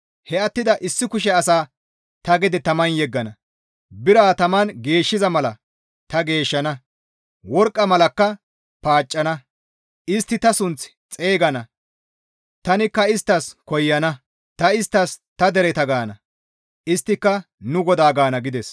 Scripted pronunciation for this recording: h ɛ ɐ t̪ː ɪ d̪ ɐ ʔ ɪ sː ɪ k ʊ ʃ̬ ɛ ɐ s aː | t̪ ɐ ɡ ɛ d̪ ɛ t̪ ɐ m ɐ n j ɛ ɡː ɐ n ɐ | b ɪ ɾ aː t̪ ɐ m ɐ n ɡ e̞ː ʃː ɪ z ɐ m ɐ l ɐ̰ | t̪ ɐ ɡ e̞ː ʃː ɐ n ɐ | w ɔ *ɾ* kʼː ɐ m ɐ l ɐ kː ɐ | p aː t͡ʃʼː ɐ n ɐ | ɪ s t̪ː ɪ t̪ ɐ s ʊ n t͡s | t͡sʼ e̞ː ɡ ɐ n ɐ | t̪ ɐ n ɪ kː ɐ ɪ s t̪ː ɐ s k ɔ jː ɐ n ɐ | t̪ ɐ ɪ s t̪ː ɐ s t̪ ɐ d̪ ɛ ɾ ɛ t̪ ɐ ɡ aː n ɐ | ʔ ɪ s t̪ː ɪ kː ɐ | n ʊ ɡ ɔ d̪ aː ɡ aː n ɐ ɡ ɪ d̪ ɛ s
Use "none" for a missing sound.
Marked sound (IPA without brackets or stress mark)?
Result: ɾ